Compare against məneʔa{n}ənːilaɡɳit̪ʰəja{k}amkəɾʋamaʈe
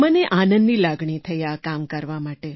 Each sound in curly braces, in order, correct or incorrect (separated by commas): correct, correct